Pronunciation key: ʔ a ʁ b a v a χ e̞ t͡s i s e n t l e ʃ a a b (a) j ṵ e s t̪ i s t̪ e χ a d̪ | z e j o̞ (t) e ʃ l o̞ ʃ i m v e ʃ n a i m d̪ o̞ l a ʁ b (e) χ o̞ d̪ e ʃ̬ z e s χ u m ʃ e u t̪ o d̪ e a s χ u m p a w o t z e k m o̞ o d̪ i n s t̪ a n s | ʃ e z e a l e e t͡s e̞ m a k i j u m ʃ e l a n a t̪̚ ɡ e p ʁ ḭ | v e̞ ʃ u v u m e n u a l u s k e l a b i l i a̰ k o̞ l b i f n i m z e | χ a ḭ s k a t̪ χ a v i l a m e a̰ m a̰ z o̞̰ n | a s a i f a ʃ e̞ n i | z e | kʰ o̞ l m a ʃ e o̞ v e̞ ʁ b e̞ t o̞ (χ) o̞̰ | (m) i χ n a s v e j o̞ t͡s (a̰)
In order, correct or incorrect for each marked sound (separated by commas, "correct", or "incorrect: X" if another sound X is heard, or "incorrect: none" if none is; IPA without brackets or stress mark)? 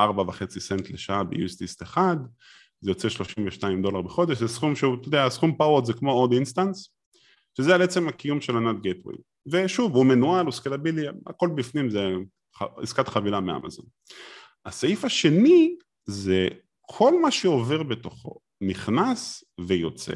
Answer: incorrect: e, incorrect: t͡s, correct, correct, incorrect: n, incorrect: ḛ